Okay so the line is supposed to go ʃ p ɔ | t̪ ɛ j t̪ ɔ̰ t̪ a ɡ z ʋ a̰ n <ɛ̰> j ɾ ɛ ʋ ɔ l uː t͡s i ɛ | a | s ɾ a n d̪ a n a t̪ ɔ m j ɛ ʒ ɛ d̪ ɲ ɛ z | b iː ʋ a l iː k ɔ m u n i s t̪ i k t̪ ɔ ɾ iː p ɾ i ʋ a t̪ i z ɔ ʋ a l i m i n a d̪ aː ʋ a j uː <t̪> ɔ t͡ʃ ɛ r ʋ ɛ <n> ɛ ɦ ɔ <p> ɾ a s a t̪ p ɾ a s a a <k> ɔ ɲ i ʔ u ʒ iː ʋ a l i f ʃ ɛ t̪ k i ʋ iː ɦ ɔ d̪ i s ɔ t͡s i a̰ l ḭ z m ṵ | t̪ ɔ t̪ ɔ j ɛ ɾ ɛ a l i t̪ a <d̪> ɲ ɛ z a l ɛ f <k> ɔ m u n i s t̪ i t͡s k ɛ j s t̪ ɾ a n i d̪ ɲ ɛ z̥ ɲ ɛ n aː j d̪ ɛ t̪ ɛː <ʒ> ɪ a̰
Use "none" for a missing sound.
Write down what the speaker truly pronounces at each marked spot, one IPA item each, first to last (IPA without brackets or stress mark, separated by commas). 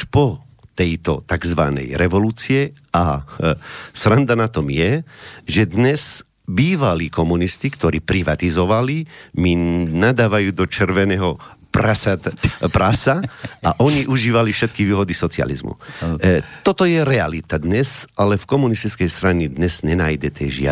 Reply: ɛ̰, d̪, n, p, ʔ, d̪, k, ʒ